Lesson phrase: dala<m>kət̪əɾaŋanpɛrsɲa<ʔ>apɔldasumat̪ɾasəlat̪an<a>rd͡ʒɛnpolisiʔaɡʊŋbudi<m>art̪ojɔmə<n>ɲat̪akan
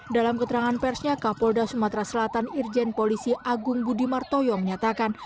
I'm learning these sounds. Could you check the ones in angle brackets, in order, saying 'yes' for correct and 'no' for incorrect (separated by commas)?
yes, no, no, yes, no